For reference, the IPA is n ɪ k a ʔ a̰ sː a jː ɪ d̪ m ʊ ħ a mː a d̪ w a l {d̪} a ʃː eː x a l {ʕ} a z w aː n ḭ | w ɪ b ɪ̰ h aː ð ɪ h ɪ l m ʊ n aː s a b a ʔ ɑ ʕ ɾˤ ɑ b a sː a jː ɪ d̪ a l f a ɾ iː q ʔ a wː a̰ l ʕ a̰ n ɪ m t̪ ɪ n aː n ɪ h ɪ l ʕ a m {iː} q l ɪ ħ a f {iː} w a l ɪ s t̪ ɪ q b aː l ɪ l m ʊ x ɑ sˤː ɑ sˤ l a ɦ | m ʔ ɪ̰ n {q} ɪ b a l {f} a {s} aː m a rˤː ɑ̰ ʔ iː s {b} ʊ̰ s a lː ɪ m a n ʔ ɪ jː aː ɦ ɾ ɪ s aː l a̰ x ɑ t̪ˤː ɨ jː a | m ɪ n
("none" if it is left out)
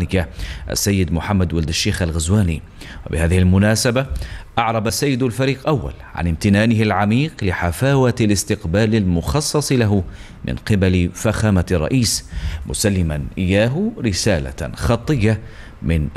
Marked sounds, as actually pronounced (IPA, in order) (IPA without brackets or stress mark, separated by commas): d̪, ɣ, iː, aː, q, f, x, m